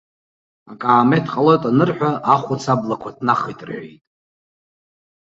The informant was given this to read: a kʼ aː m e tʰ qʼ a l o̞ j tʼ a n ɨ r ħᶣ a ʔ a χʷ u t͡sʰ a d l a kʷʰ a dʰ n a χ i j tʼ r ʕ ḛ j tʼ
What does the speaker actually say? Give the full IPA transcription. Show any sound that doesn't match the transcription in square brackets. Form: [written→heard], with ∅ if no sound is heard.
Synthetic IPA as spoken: a kʼ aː m e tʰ qʼ a l o̞ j tʼ a n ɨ r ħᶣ a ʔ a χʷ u t͡sʰ a [d→b] l a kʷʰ a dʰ n a χ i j tʼ r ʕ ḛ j tʼ